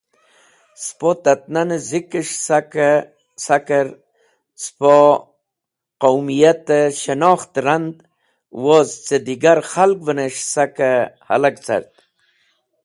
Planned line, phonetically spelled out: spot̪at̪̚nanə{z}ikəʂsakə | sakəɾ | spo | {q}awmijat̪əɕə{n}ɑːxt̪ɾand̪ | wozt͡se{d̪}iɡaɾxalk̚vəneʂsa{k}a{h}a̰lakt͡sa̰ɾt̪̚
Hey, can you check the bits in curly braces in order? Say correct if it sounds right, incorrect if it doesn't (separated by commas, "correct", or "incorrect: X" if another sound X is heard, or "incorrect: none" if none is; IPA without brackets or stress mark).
correct, correct, correct, correct, correct, correct